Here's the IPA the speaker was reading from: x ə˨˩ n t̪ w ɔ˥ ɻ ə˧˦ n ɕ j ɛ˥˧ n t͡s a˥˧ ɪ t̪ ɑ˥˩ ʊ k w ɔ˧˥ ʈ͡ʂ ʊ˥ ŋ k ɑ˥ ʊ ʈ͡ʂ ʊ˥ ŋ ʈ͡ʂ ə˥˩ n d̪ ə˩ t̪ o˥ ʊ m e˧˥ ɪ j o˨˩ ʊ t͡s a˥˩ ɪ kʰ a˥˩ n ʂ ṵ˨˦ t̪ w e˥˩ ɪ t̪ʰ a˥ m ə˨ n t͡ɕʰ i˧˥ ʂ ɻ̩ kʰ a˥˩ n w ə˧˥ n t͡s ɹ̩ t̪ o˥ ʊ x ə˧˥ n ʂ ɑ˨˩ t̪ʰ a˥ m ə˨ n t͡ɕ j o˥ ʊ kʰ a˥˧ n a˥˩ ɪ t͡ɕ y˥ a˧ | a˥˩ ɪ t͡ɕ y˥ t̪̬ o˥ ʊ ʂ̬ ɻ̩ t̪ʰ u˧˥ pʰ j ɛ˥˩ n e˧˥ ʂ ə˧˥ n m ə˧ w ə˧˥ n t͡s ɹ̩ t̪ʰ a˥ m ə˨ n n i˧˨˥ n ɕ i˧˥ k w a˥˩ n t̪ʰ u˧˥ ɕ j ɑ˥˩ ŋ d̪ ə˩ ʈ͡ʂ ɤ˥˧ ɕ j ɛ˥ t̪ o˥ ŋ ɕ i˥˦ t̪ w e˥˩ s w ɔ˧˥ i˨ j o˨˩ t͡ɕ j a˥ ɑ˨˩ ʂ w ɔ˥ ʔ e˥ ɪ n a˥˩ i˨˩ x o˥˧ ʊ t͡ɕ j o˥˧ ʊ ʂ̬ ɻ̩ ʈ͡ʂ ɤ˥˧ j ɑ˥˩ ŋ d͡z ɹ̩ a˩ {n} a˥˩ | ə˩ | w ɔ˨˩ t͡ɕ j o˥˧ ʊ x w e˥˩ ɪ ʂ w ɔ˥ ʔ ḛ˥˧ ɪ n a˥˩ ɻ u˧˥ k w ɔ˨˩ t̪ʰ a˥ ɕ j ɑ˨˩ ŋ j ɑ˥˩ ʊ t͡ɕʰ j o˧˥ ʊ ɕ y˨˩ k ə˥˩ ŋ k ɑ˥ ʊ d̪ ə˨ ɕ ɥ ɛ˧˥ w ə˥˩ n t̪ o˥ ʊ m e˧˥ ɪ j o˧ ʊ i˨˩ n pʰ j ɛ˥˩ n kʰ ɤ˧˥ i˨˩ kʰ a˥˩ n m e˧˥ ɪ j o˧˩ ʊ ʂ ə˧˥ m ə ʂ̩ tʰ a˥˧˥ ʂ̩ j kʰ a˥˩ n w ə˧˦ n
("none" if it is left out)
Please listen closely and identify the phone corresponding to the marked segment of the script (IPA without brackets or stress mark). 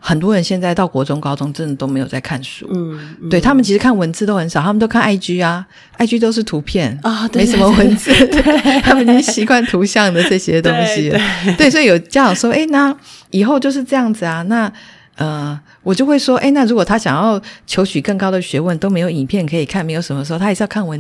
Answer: n